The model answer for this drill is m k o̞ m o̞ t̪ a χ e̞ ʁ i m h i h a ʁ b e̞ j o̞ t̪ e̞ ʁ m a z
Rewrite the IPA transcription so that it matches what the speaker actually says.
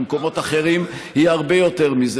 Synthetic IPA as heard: m k o̞ m o̞ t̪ a χ e̞ ʁ i m h i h a ʁ b e̞ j o̞ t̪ e̞ ʁ m i z